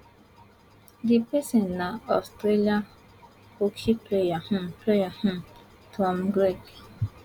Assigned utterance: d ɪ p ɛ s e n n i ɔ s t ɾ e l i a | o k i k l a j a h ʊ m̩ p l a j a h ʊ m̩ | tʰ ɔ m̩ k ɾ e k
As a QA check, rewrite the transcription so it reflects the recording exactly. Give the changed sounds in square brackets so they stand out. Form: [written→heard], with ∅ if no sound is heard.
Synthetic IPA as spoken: d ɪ p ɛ s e n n [i→a] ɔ s t ɾ e l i a | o k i [k→p] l [a→e] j a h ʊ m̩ p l [a→e] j a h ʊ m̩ | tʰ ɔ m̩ [k→ɡ] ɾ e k

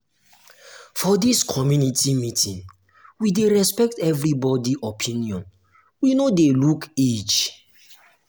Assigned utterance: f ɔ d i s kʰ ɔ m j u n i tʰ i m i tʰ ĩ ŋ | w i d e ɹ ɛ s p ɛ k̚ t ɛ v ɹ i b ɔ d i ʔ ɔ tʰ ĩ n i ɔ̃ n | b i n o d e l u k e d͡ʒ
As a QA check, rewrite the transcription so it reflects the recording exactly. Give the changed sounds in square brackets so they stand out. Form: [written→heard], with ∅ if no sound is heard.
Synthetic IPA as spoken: f ɔ d i s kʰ ɔ m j u n i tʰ i m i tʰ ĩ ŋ | w i d e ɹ ɛ s p ɛ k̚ t ɛ v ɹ i b ɔ d i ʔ ɔ [tʰ→pʰ] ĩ n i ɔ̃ n | [b→w] i n o d e l u k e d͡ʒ

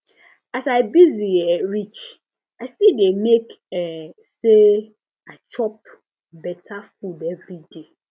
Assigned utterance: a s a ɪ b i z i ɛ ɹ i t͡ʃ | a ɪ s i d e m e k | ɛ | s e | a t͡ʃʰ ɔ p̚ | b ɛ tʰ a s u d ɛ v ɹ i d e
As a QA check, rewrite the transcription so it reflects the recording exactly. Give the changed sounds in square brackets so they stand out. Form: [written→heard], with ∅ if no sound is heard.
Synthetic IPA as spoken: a s a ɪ b i z i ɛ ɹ i t͡ʃ | a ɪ s i d e m e k | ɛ | s e | a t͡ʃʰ ɔ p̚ | b ɛ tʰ a [s→f] u d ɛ v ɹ i d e

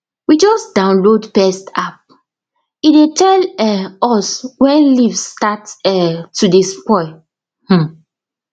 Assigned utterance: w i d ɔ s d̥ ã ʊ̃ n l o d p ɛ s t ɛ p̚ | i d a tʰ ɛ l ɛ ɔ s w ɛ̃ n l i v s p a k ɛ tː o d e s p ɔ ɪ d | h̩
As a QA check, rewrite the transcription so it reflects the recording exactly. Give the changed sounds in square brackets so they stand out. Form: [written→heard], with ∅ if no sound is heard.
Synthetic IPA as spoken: w i [d→d͡ʒ] ɔ s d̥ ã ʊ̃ n l o d p ɛ s t [ɛ→a] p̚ | i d [a→e] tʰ ɛ l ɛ ɔ s w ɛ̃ n l i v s [p→t] a [k→t] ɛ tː [o→u] d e s p ɔ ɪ [d→∅] | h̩

